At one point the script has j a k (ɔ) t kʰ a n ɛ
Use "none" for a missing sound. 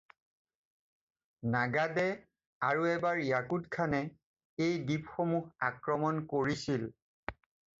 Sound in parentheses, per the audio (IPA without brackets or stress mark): u